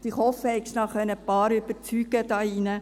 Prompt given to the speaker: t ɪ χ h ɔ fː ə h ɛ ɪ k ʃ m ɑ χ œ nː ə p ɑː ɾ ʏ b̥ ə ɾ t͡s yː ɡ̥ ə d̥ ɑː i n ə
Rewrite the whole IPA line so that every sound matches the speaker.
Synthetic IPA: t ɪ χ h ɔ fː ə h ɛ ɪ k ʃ n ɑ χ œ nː ə p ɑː ɾ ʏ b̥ ə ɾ t͡s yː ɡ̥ ə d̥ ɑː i n ə